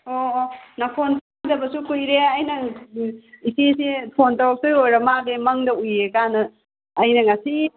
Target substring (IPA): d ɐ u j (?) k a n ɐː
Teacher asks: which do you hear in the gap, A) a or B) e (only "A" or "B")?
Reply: B